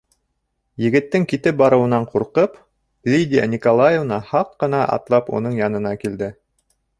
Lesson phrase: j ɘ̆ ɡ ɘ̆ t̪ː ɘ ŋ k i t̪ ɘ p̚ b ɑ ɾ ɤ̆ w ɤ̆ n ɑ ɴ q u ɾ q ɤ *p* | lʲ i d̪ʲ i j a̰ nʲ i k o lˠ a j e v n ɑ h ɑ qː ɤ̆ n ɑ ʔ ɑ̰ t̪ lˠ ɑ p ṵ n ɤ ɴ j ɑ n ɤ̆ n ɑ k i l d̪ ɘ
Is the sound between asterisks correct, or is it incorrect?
correct